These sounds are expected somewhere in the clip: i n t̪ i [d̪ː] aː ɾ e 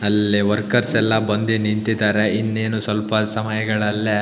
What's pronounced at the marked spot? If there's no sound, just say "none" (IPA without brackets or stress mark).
d̪